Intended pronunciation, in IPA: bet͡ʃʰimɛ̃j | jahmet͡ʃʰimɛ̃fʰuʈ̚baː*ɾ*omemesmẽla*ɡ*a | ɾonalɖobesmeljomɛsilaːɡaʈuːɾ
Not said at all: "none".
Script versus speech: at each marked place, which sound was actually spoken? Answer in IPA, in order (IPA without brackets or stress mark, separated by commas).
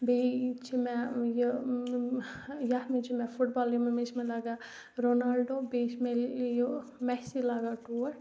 l, ɡ